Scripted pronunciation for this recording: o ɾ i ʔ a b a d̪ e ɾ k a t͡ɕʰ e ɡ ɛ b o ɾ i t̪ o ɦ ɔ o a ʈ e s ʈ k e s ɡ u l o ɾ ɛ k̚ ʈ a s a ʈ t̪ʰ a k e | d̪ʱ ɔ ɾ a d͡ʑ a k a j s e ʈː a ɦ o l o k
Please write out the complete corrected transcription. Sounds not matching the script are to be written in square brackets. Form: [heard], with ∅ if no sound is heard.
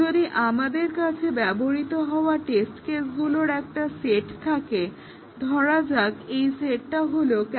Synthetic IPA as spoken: o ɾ i ʔ a [m] a d̪ e ɾ k a t͡ɕʰ e [b] ɛ b o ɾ i t̪ o ɦ ɔ o a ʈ e s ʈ k e s ɡ u l o ɾ ɛ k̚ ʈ a s [e] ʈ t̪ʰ a k e | d̪ʱ ɔ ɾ a d͡ʑ a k [e] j s e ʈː a ɦ o l o k

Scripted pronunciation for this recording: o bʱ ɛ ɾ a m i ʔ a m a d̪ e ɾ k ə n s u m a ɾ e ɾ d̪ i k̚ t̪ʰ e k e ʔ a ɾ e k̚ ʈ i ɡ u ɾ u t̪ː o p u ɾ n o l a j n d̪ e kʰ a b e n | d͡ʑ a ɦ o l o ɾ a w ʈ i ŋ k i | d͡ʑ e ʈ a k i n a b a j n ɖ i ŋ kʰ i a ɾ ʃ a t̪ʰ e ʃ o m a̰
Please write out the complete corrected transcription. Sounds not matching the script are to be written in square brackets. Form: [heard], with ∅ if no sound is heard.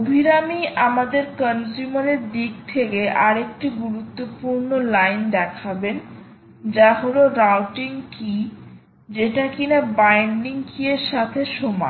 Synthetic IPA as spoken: o bʱ [i] ɾ a m i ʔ a m a d̪ e ɾ k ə n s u m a ɾ e ɾ d̪ i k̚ t̪ʰ e k e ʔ a ɾ e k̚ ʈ i ɡ u ɾ u t̪ː o p u ɾ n o l a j n d̪ [ɛ] kʰ a b e n | d͡ʑ a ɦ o l o ɾ a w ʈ i ŋ k i | d͡ʑ e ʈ a k i n a b a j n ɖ i ŋ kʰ i [e] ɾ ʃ a t̪ʰ e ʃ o m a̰

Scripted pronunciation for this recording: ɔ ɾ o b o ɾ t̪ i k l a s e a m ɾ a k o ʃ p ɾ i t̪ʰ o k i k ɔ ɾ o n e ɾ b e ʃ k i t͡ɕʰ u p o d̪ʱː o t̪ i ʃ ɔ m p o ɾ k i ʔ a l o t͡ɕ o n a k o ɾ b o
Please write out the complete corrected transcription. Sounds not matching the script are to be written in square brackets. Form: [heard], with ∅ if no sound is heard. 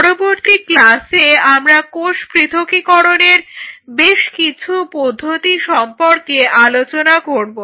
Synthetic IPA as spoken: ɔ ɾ o b o ɾ t̪ i k l a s e a m ɾ a k o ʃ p ɾ i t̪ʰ o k i k ɔ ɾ o n e ɾ b e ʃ k i t͡ɕʰ u p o d̪ʱː o t̪ i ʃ ɔ m p o ɾ k [e] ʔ a l o t͡ɕ o n a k o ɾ b o

